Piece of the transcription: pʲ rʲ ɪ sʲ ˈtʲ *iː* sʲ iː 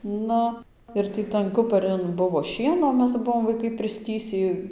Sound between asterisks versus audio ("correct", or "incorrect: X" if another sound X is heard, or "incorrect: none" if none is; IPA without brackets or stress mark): correct